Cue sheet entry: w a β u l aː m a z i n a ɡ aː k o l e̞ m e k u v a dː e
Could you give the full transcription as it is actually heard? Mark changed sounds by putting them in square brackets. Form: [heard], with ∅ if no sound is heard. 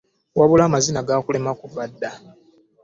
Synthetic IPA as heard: w a β u l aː m a z i n a ɡ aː k [u] l e̞ m [a] k u v a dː [a]